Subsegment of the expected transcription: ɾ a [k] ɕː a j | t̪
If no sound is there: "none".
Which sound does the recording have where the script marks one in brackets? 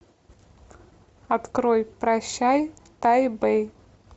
none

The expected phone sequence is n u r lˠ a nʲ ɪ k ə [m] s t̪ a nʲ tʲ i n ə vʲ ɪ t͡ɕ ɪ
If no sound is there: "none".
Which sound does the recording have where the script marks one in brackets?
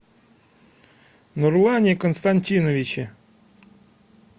n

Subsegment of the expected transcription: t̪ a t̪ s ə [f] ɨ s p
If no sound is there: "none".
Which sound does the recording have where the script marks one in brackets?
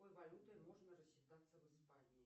v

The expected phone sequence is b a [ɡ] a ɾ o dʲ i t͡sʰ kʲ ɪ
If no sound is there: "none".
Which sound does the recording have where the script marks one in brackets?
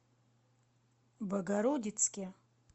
ɡ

